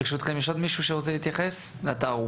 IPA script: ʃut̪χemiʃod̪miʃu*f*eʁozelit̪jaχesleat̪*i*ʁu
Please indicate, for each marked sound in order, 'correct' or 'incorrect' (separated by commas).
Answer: incorrect, incorrect